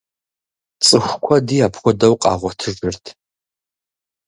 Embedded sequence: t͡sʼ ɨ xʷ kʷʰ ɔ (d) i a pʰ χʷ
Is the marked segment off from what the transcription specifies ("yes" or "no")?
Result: no